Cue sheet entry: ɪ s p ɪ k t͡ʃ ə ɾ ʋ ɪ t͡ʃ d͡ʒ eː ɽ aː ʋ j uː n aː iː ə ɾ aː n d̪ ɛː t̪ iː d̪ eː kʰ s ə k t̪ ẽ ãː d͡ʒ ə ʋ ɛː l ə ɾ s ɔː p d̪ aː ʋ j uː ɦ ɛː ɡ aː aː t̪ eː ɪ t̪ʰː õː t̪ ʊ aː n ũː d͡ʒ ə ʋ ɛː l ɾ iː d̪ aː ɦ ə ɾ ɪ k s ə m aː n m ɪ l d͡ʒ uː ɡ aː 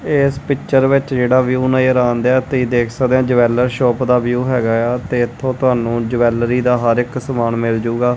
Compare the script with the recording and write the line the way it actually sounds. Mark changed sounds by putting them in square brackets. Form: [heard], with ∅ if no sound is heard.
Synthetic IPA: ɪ s p ɪ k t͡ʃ ə ɾ ʋ ɪ t͡ʃ d͡ʒ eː ɽ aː ʋ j uː n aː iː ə ɾ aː n d̪ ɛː t̪ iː d̪ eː kʰ s ə k [d̪] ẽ ãː d͡ʒ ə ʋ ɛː l ə ɾ [ʃ] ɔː p d̪ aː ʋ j uː ɦ ɛː ɡ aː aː t̪ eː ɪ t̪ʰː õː t̪ ʊ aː n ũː d͡ʒ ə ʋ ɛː l ɾ iː d̪ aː ɦ ə ɾ ɪ k s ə m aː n m ɪ l d͡ʒ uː ɡ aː